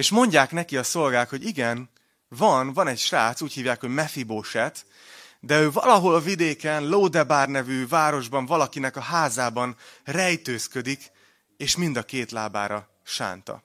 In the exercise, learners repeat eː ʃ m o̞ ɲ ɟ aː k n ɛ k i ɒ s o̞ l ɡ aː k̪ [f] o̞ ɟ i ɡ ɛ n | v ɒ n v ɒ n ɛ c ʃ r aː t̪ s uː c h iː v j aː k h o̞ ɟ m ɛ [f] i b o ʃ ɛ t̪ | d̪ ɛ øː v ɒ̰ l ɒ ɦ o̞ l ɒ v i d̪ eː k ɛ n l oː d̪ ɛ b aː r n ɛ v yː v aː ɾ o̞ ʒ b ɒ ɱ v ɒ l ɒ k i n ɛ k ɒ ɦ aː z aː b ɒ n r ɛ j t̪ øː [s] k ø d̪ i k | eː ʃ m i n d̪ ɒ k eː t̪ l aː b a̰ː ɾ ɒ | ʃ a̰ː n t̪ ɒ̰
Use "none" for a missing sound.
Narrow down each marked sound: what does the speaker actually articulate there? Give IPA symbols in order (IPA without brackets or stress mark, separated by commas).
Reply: h, f, s